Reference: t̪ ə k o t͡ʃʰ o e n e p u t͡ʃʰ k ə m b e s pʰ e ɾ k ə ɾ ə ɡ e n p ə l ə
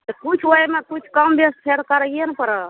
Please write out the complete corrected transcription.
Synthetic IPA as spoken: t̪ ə k u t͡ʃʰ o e m e k u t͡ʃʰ k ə m b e s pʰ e ɾ k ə ɾ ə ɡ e n p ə ɾ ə